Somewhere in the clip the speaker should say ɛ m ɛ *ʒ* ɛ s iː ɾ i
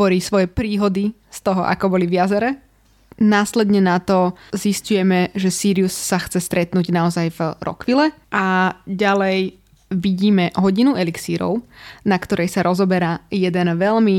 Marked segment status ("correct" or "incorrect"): correct